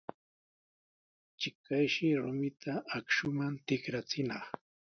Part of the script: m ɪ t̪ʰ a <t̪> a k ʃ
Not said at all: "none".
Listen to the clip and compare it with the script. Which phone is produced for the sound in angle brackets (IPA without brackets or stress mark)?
none